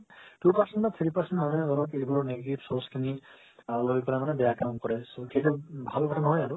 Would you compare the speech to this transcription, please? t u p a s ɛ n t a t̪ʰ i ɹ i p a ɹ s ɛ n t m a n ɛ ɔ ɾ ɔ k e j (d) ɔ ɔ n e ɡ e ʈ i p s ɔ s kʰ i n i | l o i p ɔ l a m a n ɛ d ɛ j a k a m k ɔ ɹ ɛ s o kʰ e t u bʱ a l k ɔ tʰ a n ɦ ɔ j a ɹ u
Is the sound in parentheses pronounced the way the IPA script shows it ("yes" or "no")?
no